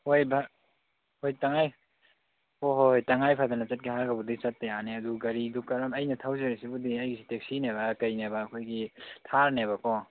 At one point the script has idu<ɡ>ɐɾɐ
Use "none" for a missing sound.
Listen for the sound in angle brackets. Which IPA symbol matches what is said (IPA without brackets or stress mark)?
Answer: k